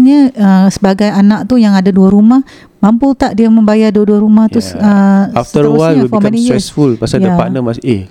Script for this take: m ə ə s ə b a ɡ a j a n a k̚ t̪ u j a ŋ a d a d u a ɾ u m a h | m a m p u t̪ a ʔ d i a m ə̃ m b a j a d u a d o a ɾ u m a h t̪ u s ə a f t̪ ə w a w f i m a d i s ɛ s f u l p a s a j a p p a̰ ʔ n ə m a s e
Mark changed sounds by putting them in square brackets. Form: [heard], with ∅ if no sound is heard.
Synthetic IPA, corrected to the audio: [ɲ] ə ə s ə b a ɡ a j a n a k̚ t̪ u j a ŋ a d a d u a ɾ u m a h | m a m p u t̪ a ʔ d i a m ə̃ m b a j a d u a d [u] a ɾ u m a h t̪ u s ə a f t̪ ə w a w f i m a [n] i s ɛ s f u l p a s a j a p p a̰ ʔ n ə m a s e